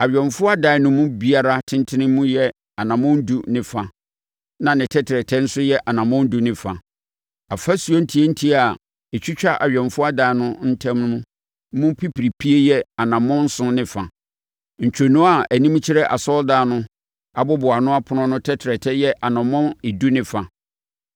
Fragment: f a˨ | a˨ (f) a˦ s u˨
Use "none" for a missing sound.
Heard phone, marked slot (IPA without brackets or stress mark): f